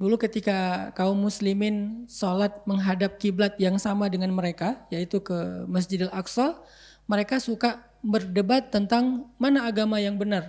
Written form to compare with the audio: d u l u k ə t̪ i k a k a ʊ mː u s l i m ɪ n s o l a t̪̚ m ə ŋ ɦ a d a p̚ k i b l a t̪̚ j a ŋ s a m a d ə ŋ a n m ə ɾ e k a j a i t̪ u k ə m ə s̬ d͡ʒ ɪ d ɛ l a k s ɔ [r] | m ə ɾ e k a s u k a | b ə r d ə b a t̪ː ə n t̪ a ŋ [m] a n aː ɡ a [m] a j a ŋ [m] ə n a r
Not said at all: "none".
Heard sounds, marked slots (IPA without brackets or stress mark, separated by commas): l, m, m, b